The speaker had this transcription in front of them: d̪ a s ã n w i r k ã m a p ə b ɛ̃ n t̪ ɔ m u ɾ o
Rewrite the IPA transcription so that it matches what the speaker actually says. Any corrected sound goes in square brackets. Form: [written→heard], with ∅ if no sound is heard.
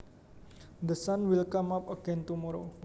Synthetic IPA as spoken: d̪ [a→ə] s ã n w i [r→l] k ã m a p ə [b→ɡ] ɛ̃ n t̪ [ɔ→u] m [u→ɔ] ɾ o

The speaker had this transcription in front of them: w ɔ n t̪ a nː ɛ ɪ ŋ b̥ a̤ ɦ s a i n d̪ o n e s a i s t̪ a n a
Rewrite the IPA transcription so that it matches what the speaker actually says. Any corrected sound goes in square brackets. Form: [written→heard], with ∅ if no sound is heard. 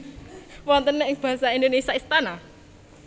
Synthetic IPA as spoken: w ɔ n t̪ [a→ə] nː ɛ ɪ ŋ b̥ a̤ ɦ s a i n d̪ o n e s a i s t̪ a n a

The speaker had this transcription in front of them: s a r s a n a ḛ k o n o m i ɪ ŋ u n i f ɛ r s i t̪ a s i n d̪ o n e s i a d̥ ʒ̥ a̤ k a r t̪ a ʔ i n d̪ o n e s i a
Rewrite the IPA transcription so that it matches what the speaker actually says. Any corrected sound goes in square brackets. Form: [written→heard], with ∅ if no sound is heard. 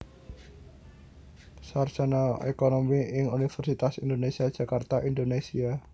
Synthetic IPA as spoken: s a r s a n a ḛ k o n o m i ɪ ŋ u n i f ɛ r s i t̪ a s i n d̪ o n e s i a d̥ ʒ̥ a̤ k a r t̪ a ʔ i n d̪ o n e s i a

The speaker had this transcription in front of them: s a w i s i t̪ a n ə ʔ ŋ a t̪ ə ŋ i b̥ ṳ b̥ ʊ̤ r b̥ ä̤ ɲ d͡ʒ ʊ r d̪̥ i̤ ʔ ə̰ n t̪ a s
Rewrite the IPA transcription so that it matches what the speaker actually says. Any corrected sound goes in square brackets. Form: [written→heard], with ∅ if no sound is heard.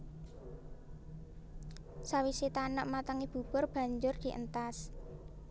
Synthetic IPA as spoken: s a w i s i t̪ a n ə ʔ [ŋ→m] a t̪ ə ŋ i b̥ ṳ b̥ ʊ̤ r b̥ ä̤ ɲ d͡ʒ ʊ r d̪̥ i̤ ʔ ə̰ n t̪ a s

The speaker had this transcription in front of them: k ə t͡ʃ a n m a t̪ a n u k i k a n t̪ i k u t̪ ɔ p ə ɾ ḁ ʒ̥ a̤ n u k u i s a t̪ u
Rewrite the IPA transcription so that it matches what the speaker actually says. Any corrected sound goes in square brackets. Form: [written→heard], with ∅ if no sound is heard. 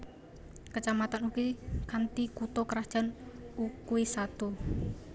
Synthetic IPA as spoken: k ə t͡ʃ a [n→∅] m a t̪ a n u k i k a n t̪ i k u t̪ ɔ [p→k] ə ɾ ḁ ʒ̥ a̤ n u k u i s a t̪ u

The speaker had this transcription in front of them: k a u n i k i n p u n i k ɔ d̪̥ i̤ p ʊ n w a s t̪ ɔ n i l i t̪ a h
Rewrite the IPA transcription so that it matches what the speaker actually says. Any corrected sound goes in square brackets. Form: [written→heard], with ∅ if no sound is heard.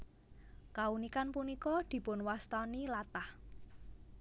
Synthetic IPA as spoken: k a u n i k [i→a] n p u n i k ɔ d̪̥ i̤ p ʊ n w a s t̪ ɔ n i l [i→a] t̪ a h

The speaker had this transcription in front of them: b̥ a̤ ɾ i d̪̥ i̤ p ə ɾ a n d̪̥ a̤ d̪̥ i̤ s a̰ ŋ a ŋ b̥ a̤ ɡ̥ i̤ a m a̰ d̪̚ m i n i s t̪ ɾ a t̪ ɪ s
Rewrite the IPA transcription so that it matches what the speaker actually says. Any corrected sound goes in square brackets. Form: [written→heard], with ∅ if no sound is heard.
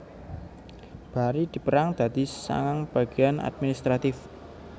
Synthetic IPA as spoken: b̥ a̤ ɾ i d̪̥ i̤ p ə ɾ a [n→ŋ] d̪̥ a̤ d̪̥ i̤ s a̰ ŋ a ŋ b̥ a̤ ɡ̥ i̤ a [m→n] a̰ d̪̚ m i n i s t̪ ɾ a t̪ ɪ [s→f]

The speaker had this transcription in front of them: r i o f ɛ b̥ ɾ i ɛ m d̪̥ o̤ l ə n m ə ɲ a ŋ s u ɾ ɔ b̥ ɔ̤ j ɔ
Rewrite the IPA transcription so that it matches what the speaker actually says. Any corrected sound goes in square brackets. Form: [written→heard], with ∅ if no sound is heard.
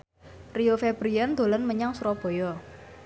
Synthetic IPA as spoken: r i o f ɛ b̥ ɾ i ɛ [m→n] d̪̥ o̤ l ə n m ə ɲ a ŋ s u ɾ ɔ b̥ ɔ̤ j ɔ

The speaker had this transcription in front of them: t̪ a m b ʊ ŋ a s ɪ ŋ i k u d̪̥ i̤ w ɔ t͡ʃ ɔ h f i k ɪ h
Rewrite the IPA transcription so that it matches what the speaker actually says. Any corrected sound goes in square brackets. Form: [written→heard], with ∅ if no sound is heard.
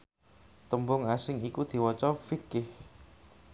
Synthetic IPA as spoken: t̪ [a→ə] m b ʊ ŋ a s ɪ ŋ i k u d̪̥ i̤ w ɔ t͡ʃ ɔ [h→∅] f i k ɪ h

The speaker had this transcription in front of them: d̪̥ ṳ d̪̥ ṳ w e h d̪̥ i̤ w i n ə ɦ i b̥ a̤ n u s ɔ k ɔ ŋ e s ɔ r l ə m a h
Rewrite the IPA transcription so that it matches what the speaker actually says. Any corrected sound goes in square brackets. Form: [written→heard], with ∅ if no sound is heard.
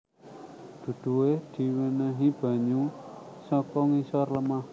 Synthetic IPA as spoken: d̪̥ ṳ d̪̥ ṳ w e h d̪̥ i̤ w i n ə ɦ i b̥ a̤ [n→ɲ] u s ɔ k ɔ ŋ [e→i] s ɔ r l ə m a h

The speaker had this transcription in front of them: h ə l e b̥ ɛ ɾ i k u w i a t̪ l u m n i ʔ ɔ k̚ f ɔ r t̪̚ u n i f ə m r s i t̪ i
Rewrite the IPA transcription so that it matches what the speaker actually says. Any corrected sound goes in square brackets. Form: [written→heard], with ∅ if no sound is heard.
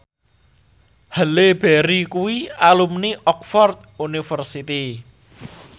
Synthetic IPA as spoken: h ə l e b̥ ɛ ɾ i k u w i a [t̪→∅] l u m n i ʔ ɔ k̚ f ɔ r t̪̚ u n i f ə [m→∅] r s i t̪ i

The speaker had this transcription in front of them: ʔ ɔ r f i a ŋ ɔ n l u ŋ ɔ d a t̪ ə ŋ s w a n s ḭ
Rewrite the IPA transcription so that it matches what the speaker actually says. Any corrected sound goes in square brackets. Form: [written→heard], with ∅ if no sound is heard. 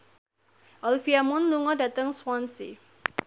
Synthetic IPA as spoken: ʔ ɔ [r→l] f i a [ŋ→m] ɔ n l u ŋ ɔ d a t̪ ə ŋ s w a n s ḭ

